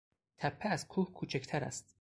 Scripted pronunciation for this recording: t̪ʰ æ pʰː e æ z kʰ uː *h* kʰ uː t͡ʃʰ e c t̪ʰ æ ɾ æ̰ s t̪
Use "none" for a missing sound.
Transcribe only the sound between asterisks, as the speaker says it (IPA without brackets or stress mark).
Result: h